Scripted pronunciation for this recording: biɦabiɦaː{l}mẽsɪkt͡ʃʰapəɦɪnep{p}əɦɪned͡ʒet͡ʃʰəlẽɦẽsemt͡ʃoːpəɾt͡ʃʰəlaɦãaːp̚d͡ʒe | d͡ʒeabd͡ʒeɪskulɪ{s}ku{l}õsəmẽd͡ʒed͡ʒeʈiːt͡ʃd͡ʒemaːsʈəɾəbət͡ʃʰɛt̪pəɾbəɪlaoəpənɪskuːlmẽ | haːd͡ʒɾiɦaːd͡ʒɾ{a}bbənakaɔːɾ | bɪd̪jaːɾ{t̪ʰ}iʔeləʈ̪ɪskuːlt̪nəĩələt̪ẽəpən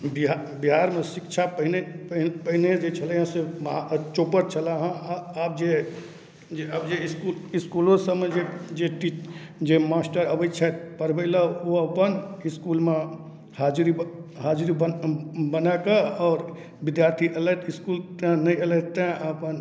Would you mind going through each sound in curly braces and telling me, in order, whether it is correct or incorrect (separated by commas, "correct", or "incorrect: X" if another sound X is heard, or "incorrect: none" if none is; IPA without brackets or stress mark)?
incorrect: ɾ, correct, correct, correct, incorrect: i, correct